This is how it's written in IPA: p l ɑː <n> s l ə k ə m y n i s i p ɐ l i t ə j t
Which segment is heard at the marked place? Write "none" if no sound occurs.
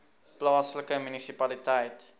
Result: none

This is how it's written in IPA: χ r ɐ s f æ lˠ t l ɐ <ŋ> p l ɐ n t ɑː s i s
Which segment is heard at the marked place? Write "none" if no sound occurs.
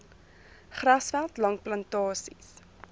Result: ŋ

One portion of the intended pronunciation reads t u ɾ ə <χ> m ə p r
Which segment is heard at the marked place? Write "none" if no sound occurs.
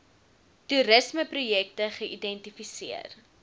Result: s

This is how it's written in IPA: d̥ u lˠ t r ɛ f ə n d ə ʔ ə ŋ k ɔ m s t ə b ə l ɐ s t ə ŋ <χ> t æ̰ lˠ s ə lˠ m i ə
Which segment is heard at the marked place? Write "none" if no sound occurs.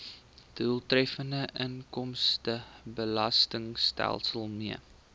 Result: s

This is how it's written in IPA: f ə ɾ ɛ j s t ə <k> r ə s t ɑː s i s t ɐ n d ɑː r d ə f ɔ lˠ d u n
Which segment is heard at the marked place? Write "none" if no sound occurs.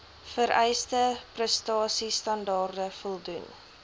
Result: p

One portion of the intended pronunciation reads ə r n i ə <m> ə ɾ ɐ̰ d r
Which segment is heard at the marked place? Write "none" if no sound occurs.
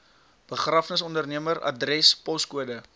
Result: m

